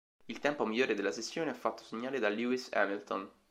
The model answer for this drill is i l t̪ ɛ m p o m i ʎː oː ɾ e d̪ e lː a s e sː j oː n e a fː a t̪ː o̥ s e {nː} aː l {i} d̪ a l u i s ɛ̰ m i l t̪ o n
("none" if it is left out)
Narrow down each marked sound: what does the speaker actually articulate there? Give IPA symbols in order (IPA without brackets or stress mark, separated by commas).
ɲː, e